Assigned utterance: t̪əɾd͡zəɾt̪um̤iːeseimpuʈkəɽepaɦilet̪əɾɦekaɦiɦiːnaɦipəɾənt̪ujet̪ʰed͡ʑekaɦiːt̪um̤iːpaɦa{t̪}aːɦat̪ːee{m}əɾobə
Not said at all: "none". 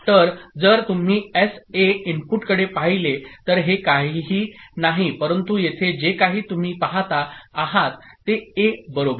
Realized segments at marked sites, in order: t̪, b

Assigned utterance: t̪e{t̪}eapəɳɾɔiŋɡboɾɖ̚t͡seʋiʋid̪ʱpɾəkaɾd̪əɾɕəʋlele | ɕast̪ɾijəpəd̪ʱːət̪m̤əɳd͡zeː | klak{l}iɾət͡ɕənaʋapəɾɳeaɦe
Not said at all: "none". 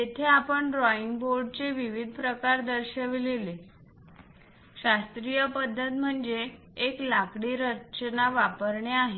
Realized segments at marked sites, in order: t̪ʰ, ɽ

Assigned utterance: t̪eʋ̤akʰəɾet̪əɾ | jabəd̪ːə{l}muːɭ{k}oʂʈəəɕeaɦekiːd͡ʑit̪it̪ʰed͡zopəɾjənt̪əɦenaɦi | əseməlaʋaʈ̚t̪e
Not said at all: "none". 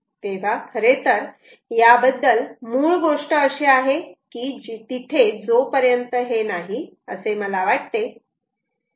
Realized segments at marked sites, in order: l, ɡ

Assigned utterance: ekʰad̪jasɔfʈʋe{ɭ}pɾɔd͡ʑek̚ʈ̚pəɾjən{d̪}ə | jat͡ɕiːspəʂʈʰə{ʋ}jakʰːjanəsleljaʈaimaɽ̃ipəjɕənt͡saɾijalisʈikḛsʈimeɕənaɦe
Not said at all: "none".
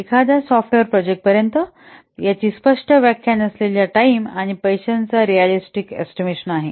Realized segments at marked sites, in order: ɾ, t̪, ʋ

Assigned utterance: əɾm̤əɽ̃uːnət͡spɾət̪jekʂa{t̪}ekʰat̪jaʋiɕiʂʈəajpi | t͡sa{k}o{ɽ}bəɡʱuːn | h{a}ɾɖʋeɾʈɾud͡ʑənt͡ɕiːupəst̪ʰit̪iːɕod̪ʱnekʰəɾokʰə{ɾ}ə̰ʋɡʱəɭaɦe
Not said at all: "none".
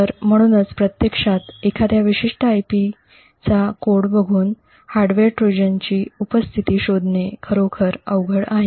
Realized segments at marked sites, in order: t̪, k, ɽ, a, ɾ

